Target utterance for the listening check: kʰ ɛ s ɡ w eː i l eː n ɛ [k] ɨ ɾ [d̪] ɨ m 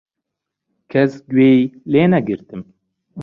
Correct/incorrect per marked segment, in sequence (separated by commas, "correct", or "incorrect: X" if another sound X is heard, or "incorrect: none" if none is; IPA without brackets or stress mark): incorrect: ɡ, incorrect: t̪